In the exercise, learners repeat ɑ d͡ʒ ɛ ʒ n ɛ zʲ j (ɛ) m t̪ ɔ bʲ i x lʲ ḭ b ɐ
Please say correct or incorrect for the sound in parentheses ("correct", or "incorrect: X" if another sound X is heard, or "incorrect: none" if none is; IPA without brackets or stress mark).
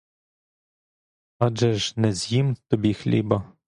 incorrect: i